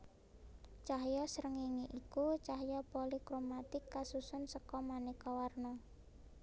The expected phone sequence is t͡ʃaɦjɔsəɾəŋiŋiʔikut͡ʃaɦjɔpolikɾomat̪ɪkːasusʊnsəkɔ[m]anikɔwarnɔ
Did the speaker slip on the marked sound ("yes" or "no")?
no